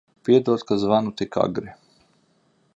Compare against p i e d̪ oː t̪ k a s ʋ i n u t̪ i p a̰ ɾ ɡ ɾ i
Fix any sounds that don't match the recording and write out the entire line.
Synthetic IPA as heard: p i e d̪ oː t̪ k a z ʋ a n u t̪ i k a̰ ɡ ɾ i